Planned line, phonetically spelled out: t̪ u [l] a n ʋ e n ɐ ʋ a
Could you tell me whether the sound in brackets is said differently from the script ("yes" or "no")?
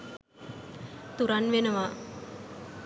yes